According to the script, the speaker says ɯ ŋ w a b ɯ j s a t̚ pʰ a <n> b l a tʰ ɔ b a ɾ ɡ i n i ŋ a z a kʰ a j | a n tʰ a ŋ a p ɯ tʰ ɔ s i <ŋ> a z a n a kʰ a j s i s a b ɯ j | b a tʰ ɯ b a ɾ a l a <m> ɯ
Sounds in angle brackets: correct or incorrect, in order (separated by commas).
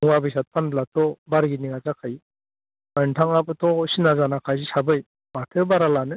correct, incorrect, incorrect